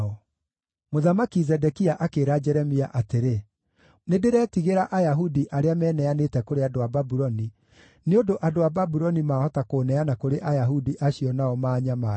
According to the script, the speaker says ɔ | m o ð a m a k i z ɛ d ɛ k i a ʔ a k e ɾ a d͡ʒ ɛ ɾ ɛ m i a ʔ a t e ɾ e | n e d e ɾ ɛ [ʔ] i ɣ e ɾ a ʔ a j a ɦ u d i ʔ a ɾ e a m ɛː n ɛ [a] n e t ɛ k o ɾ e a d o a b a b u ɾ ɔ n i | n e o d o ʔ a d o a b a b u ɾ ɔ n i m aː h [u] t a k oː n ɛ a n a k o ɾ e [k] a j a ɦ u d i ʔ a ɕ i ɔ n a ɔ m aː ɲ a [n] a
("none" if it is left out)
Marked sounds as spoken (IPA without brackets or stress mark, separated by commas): t, a, ɔ, ʔ, m